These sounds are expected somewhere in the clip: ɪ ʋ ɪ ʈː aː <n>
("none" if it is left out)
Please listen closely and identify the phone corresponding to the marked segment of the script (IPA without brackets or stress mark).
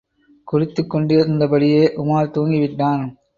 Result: n